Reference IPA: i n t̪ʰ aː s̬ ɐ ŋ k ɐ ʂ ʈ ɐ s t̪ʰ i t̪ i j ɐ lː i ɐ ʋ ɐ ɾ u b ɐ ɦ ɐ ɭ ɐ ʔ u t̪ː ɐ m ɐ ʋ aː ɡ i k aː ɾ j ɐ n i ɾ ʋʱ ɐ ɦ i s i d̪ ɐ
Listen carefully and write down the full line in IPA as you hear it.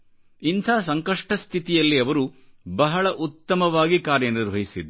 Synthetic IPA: i n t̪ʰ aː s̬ ɐ ŋ k ɐ ʂ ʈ ɐ s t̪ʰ i t̪ i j ɐ lː i ɐ ʋ ɐ ɾ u b ɐ ɦ ɐ ɭ ɐ ʔ u t̪ː ɐ m ɐ ʋ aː ɡ i k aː ɾ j ɐ n i ɾ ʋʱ ɐ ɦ i s i d̪ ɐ

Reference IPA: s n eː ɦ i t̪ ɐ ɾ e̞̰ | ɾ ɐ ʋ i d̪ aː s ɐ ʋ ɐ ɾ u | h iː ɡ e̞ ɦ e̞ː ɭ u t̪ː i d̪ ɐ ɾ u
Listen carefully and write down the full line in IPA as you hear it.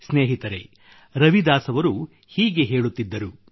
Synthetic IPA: s n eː ɦ i t̪ ɐ ɾ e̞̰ | ɾ ɐ ʋ i d̪ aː s ɐ ʋ ɐ ɾ u | h iː ɡ e̞ ɦ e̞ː ɭ u t̪ː i d̪ː ɐ ɾ u

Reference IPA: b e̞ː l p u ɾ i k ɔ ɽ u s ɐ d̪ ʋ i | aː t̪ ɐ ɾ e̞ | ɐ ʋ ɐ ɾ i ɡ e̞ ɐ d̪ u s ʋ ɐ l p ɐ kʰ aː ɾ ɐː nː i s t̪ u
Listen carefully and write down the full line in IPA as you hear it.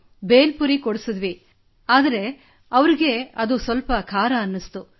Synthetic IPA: b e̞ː l p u ɾ i k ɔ ɽ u s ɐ d̪ ʋ i | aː d̪ ɐ ɾ e̞ | ɐ ʋ ɐ ɾ i ɡ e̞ ɐ d̪ u s ʋ ɐ l p ɐ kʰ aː ɾ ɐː nː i s t̪ u

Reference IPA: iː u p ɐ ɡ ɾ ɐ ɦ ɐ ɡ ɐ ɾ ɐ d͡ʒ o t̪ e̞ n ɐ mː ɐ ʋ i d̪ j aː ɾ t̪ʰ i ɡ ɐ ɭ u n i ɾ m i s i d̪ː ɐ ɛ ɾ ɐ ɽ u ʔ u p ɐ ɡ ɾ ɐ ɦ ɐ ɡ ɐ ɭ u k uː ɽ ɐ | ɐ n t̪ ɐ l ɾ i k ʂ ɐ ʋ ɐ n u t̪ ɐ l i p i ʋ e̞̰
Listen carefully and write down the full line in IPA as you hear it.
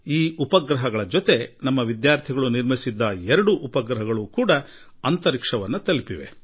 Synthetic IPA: iː u p ɐ ɡ ɾ ɐ ɦ ɐ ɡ ɐ ɭ ɐ d͡ʒ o t̪ e̞ n ɐ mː ɐ ʋ i d̪ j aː ɾ t̪ʰ i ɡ ɐ ɭ u n i ɾ m i s i d̪ː ɐ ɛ ɾ ɐ ɽ u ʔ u p ɐ ɡ ɾ ɐ ɦ ɐ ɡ ɐ ɭ u k uː ɽ ɐ | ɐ n t̪ ɐ ɾ i k ʂ ɐ ʋ ɐ nː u t̪ ɐ l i p i ʋ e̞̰

